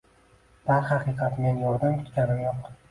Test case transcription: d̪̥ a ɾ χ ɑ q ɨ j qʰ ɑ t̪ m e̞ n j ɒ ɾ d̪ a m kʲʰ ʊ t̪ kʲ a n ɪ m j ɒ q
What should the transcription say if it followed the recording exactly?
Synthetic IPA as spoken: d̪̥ a ɾ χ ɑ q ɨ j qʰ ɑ t̪ m e̞ n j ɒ ɾ d̪ a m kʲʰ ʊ t̪ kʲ a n ɪ m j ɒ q

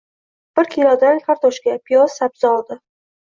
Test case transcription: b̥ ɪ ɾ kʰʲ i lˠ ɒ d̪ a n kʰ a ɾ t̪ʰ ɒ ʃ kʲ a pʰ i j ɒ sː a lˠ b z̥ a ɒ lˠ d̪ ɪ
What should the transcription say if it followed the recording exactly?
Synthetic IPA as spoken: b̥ ɪ ɾ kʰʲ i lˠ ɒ d̪ a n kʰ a ɾ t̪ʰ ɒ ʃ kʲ a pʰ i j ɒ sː a b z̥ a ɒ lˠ d̪ ɪ

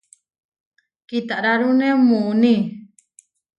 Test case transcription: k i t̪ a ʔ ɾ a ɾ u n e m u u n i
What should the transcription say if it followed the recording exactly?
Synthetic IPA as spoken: k i t̪ a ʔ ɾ a ɾ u n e m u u n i

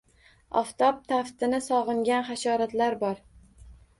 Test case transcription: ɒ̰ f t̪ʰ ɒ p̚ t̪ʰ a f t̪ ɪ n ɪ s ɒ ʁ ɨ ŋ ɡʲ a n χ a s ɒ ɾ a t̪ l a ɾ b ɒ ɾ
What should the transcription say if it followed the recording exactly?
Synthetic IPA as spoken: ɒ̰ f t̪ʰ ɒ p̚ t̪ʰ a f t̪ ɪ n ɪ s ɒ ʁ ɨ ŋ ɡʲ a n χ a ʃ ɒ ɾ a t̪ l a ɾ b ɒ ɾ

